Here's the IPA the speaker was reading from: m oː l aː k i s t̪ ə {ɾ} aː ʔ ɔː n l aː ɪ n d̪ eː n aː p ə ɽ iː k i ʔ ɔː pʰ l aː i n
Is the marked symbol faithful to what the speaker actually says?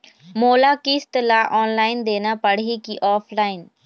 no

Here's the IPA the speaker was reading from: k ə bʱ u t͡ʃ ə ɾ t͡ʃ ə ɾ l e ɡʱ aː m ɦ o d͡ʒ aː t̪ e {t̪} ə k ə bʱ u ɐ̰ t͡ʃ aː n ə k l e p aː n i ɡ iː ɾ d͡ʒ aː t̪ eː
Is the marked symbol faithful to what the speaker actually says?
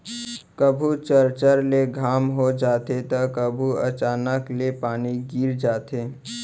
yes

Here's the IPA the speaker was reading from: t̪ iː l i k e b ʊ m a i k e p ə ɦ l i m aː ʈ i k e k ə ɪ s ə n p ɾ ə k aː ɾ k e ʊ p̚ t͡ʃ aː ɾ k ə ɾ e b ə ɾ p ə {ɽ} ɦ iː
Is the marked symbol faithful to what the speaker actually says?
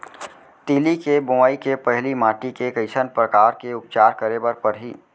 no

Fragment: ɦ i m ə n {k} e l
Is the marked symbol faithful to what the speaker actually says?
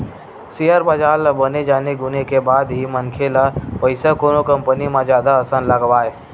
no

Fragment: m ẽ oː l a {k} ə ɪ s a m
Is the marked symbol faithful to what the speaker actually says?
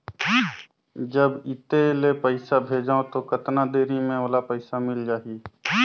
no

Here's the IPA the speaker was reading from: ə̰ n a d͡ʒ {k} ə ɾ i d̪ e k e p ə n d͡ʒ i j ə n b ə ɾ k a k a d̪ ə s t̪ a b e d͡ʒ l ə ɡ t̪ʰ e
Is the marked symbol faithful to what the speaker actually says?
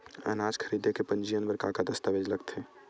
no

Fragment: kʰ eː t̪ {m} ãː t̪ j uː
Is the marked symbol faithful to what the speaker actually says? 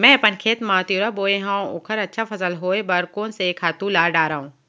yes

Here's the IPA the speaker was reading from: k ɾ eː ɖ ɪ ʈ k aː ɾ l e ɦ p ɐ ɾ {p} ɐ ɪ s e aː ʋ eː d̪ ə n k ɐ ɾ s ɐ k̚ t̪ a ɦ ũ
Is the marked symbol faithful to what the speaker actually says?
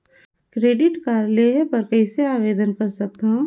no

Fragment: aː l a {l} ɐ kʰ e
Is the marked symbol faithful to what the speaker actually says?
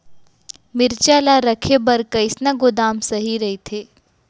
no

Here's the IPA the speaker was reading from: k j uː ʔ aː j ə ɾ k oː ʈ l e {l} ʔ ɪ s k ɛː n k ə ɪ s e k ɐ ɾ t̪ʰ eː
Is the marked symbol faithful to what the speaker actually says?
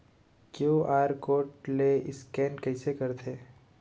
no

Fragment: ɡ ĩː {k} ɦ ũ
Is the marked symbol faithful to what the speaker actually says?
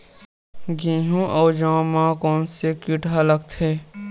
no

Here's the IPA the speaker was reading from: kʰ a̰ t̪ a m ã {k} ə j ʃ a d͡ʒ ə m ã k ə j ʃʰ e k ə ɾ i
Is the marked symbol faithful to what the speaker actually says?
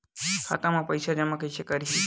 no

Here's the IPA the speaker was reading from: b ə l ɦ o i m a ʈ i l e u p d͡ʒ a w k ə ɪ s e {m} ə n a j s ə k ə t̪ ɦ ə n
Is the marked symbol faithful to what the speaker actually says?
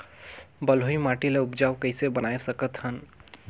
no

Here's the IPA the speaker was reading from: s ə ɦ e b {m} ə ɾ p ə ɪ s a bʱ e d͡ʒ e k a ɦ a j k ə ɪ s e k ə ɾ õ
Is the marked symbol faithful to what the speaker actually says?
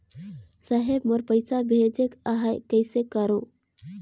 yes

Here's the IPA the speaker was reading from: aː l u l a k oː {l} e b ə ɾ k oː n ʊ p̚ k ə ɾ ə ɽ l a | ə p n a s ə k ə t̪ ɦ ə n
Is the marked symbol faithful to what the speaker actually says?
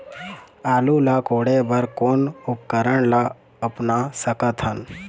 no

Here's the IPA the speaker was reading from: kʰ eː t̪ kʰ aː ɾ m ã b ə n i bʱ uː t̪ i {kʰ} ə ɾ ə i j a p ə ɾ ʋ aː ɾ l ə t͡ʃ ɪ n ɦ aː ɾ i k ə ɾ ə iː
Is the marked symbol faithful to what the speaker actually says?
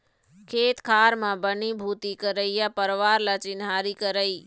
no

